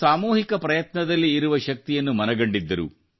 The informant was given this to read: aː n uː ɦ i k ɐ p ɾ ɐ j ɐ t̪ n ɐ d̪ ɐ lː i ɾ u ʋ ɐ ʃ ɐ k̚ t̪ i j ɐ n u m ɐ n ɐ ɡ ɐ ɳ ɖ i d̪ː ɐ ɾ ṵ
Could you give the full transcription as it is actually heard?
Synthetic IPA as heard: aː m uː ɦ i k ɐ p ɾ ɐ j ɐ t̪ n ɐ d̪ ɐ lː iː ɾ u ʋ ɐ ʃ ɐ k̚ t̪ i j ɐ nː u m ɐ n ɐ ɡ ɐ ɳ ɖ i d̪ː ɐ ɾ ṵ